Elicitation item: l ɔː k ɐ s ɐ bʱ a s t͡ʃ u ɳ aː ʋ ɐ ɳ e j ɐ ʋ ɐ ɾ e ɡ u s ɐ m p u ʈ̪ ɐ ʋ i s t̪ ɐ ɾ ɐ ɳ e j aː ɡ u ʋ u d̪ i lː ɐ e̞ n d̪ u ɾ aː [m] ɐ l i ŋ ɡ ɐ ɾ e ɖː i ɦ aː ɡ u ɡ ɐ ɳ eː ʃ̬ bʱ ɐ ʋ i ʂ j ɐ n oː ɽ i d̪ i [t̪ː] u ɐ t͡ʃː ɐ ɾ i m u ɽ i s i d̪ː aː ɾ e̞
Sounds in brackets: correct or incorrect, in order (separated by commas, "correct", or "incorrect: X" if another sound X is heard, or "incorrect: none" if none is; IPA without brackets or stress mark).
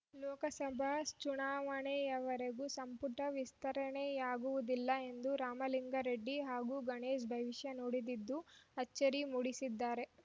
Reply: correct, incorrect: d̪ː